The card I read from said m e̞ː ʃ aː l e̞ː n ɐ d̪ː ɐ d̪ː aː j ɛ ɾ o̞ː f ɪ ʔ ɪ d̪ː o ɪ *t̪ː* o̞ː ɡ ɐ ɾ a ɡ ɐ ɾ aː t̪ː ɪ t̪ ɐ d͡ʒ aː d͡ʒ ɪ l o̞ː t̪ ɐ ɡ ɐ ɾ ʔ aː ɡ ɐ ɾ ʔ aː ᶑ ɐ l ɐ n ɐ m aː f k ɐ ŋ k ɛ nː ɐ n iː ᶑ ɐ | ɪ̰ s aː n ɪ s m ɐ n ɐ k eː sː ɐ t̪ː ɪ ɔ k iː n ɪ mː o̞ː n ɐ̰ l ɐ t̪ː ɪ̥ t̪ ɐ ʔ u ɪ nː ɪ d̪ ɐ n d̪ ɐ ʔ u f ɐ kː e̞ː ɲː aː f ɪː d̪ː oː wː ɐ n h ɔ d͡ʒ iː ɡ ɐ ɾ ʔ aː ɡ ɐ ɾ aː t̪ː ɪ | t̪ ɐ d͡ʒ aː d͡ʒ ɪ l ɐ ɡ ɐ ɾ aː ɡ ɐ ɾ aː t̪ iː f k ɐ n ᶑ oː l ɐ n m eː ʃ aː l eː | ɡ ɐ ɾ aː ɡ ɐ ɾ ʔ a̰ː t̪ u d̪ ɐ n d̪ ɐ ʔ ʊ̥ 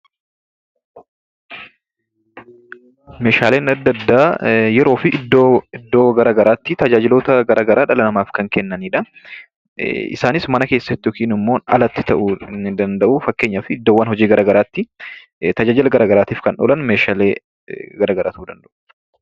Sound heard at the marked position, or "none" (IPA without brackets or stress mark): d̪ː